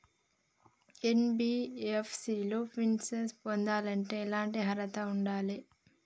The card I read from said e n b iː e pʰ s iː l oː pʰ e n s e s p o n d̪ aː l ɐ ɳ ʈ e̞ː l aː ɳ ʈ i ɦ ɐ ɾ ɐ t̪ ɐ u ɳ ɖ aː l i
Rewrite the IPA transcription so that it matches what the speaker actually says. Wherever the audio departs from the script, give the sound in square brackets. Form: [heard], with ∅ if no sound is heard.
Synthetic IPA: e n b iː e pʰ s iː l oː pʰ [i] n s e s p o n d̪ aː l ɐ ɳ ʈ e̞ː l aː ɳ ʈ i ɦ ɐ ɾ ɐ t̪ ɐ u ɳ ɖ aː l i